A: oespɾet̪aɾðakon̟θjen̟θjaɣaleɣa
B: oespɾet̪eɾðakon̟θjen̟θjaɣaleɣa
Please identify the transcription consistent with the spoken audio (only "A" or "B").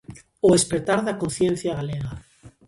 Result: A